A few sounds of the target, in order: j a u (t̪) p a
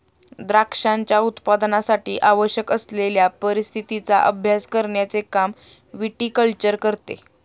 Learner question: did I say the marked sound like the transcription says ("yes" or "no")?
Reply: yes